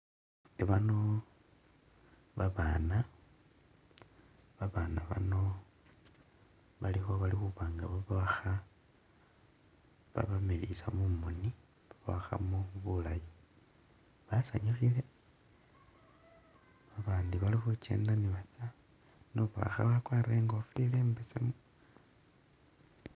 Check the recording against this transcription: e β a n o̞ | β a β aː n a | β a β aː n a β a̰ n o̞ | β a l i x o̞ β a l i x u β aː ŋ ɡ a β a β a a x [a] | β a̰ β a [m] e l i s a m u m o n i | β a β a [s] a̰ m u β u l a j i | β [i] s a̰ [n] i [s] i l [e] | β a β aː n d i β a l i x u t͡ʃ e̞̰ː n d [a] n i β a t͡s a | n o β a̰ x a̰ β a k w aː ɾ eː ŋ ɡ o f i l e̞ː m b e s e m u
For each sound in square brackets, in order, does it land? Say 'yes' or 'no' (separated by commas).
yes, yes, no, no, no, no, yes, yes